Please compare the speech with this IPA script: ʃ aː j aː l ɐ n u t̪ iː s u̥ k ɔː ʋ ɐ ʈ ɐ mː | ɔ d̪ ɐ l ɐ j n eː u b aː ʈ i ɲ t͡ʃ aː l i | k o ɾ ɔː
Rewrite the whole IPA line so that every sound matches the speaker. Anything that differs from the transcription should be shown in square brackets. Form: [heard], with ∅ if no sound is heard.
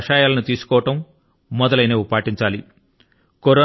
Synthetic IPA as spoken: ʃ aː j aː l ɐ n u t̪ iː s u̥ k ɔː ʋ ɐ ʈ ɐ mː | ɔ d̪ ɐ l ɐ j n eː u [p] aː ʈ i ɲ t͡ʃ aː l i | k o ɾ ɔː